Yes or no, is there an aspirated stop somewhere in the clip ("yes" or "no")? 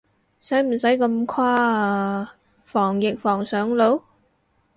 yes